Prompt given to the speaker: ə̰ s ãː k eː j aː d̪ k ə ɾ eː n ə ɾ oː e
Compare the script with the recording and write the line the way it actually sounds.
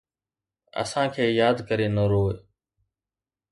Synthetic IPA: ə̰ s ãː kʰ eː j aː d̪ k ə ɾ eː n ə ɾ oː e